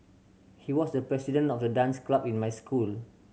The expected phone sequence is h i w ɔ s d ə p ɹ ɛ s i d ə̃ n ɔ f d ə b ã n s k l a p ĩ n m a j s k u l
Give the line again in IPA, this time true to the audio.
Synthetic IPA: h i w ɔ s d ə p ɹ ɛ s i d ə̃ n ɔ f d ə d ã n s k l a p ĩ n m a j s k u l